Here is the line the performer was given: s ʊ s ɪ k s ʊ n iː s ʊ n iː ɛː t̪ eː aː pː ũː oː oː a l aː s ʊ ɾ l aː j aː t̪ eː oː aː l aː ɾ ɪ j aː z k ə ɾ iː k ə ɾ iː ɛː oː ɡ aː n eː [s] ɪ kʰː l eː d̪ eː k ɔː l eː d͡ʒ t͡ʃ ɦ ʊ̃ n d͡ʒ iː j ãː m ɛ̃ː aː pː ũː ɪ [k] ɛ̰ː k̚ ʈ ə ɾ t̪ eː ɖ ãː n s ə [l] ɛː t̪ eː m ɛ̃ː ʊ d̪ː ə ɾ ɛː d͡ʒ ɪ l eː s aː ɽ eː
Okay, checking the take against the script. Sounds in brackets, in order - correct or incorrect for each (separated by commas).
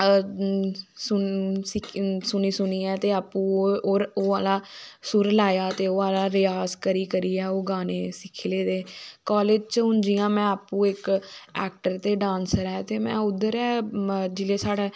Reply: correct, correct, incorrect